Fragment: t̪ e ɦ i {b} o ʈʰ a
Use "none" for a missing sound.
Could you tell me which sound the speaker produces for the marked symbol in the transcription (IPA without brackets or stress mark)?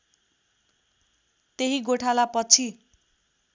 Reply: ɡ